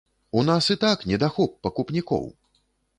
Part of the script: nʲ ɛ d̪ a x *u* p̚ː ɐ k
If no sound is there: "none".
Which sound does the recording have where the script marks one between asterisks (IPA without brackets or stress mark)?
ɔ